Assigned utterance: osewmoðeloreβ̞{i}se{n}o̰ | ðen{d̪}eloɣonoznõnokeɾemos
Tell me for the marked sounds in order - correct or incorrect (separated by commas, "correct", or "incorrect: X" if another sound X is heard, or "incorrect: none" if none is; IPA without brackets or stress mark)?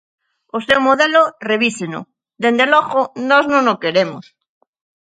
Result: correct, correct, correct